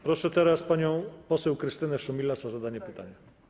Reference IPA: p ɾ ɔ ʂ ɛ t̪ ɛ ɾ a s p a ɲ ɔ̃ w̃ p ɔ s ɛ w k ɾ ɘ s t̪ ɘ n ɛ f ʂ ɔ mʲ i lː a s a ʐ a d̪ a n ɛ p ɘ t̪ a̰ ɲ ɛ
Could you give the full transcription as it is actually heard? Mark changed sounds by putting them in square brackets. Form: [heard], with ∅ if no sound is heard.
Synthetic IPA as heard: p ɾ ɔ ʂ ɛ t̪ ɛ ɾ a s p a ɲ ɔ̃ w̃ p ɔ s ɛ w k ɾ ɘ s t̪ ɘ n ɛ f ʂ ɔ mʲ i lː a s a [z] a d̪ a [ɲ] ɛ p ɘ t̪ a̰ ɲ ɛ